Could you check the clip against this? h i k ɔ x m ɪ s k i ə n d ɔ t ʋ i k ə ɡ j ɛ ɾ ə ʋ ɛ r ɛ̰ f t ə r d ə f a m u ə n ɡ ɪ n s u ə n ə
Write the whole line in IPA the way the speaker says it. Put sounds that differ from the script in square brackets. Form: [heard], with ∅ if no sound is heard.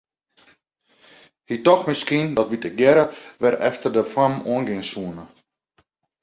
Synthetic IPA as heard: h i [t] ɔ x m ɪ s k i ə n d ɔ t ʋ i [t] ə ɡ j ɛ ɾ ə ʋ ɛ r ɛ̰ f t ə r d ə f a m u ə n ɡ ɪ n s u ə n ə